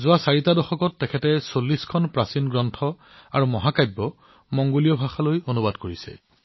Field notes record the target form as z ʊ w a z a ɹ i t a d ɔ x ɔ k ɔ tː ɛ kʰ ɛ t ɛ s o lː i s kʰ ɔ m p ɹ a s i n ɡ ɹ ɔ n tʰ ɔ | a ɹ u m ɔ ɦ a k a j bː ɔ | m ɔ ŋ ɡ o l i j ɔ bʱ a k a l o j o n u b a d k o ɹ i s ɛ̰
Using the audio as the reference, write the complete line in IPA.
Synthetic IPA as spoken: z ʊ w a s a ɹ i t a d ɔ x ɔ k ɔ tː ɛ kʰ ɛ t ɛ s o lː i s kʰ ɔ n p ɹ a s i n ɡ ɹ ɔ n tʰ ɔ | a ɹ u m ɔ ɦ a k a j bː ɔ | m ɔ ŋ ɡ o l i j ɔ bʱ a x a l o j o n u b a d k o ɹ i s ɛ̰

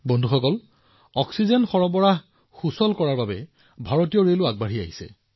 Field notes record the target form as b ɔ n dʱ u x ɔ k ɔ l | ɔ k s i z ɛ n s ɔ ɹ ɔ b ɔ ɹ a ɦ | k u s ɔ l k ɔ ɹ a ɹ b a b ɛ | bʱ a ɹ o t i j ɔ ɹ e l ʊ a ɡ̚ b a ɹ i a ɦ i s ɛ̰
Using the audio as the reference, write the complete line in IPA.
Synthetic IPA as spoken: b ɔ n dʱ u x ɔ k ɔ l | ɔ k s i z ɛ n x ɔ ɹ ɔ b ɔ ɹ a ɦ | x u s ɔ l k ɔ ɹ a ɹ b a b ɛ | bʱ a ɹ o t i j ɔ ɹ e l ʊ a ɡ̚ b a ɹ i a ɦ i s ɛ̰

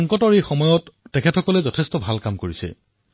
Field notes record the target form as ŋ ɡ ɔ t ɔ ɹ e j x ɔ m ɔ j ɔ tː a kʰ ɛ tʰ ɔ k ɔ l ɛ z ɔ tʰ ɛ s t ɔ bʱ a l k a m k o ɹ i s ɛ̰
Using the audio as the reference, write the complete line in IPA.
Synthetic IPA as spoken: ŋ k ɔ t ɔ ɹ e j x ɔ m ɔ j ɔ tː ɛ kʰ ɛ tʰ ɔ k ɔ l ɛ z ɔ tʰ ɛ s t ɔ bʱ a l k a m k o ɹ i s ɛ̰

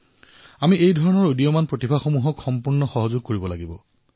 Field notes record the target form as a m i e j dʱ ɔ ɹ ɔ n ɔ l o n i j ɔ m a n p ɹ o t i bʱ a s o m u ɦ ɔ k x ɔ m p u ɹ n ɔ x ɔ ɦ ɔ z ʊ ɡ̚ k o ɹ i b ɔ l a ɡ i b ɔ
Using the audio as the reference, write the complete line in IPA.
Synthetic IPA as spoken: a m i e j dʱ ɔ ɹ ɔ n ɔ ɹ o d i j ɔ m a n p ɹ o t i bʱ a x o m u ɦ ɔ k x ɔ m p u ɹ n ɔ x ɔ ɦ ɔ z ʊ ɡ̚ k o ɹ i b ɔ l a ɡ i b ɔ

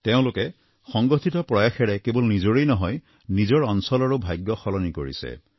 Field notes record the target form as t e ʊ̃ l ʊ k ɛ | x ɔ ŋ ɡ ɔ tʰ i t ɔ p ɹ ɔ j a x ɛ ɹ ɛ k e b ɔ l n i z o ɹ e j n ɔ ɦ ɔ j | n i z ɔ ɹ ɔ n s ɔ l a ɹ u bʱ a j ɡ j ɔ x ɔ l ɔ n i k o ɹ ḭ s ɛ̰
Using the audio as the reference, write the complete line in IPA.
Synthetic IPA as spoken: t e ʊ̃ l ʊ k ɛ | x ɔ ŋ ɡ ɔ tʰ i t ɔ p ɹ ɔ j a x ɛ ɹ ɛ k e b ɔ l n i z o ɹ e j n ɔ ɦ ɔ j | n i z ɔ ɹ ɔ n s ɔ l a ɹ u bʱ a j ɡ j ɔ x ɔ l ɔ n i k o ɹ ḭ s ɛ̰

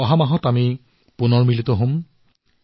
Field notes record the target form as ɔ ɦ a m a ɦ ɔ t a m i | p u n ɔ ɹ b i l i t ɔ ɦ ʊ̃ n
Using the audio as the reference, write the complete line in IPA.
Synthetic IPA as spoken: ɔ ɦ a m a ɦ ɔ t a m i | p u n ɔ ɹ m i l i t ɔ ɦ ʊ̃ m

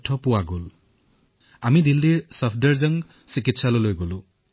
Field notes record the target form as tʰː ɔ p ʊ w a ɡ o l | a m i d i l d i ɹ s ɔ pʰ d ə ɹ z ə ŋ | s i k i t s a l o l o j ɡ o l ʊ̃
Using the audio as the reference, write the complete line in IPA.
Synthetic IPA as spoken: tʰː ɔ p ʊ w a ɡ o l | a m i d i l d i ɹ s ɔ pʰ d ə ɹ z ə ŋ | s i k i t s a l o l o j ɡ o l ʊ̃

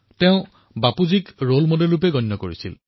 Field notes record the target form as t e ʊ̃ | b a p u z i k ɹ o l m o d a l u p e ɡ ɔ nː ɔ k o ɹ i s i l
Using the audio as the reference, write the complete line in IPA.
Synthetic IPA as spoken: t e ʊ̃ | b a p u z i k ɹ o l m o d e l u p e ɡ ɔ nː ɔ k o ɹ i s i l

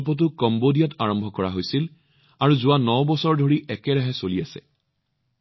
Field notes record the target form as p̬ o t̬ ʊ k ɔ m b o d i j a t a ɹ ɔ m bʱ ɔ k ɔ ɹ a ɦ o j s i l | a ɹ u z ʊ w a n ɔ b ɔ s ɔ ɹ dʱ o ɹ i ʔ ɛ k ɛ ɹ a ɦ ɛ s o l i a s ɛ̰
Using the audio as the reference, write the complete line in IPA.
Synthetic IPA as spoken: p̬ ɔ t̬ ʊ k ɔ m b o d i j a t a ɹ ɔ m bʱ ɔ k ɔ ɹ a ɦ o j s i l | a ɹ u z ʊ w a n ɔ b ɔ s ɔ ɹ dʱ o ɹ i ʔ ɛ k ɛ ɹ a ɦ ɛ s o l i a s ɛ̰

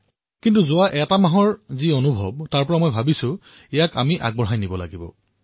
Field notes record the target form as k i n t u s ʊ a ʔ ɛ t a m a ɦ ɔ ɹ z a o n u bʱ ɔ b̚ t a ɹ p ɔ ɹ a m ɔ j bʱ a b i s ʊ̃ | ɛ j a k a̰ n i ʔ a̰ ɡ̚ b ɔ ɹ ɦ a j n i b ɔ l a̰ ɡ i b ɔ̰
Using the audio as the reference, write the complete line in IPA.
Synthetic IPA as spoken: k i n t u z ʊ a ʔ ɛ t a m a ɦ ɔ ɹ z i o n u bʱ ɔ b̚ t a ɹ p ɔ ɹ a m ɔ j bʱ a b i s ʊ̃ | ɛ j a k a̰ m i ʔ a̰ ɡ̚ b ɔ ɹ ɦ a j n i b ɔ l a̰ ɡ i b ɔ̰

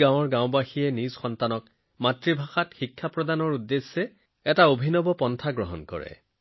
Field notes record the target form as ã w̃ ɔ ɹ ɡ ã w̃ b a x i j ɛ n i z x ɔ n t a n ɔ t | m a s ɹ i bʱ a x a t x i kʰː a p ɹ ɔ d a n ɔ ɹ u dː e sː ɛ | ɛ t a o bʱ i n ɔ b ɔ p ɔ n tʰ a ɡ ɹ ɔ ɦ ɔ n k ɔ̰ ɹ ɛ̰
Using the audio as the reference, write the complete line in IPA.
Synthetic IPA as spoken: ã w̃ ɔ ɹ ɡ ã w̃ b a x i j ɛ n i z x ɔ n t a n ɔ k | m a t ɹ i bʱ a x a t x i kʰː a p ɹ ɔ d a n ɔ ɹ u dː e sː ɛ | ɛ t a o bʱ i n ɔ b ɔ p ɔ n tʰ a ɡ ɹ ɔ ɦ ɔ n k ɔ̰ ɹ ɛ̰

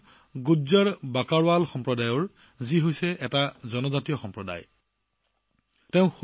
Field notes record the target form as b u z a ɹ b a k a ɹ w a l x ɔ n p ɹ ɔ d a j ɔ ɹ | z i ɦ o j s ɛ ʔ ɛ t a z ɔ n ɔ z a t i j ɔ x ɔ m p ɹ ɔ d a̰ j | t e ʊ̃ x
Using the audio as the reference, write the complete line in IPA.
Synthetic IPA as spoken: ɡ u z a ɹ b a k a ɹ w a l x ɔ m p ɹ ɔ d a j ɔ ɹ | z i ɦ o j s ɛ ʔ ɛ t a z ɔ n ɔ z a t i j ɔ x ɔ m p ɹ ɔ d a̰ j | t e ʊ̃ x

